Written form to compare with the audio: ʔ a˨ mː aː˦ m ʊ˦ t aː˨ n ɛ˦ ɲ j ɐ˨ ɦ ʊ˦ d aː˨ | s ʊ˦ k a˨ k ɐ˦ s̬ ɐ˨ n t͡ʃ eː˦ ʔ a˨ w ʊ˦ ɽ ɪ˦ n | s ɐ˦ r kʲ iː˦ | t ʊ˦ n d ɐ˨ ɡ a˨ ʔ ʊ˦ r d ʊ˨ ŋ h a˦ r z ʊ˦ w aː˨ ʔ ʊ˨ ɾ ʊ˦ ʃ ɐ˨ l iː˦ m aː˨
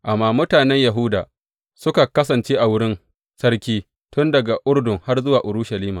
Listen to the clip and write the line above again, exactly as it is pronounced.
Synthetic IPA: ʔ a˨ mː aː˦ m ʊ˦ t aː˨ n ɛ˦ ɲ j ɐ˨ ɦ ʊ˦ d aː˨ | s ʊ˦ k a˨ k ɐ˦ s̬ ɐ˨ n t͡ʃ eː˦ ʔ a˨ w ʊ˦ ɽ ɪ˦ n | s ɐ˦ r kʲ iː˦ | t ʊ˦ n d ɐ˨ ɡ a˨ ʔ ʊ˦ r d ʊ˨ ŋ h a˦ r z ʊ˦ w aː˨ ʔ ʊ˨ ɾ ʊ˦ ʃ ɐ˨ l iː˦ m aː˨